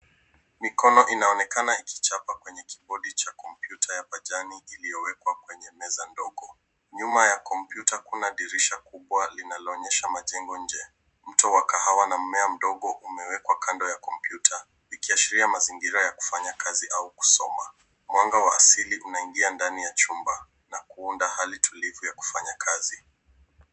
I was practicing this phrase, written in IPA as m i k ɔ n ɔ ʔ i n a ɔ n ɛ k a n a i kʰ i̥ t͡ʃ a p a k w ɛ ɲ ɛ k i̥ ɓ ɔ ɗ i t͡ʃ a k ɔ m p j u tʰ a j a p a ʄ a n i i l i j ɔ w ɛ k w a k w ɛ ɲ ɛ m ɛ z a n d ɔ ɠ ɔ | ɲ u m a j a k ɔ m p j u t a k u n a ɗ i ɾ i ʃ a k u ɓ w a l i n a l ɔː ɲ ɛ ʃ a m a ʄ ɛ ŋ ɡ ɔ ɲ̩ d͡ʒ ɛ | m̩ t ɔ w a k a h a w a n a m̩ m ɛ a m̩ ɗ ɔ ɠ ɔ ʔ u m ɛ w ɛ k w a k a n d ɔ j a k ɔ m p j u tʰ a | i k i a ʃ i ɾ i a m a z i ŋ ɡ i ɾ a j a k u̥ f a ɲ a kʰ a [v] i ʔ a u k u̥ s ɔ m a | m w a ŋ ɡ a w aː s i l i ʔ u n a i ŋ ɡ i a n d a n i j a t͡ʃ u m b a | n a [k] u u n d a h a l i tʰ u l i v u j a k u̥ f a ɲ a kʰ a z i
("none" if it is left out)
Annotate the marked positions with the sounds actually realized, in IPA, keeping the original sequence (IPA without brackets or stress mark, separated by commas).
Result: z, k